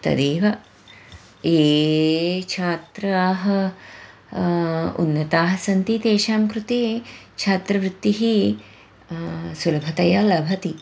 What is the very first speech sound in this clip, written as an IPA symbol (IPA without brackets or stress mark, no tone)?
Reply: t̪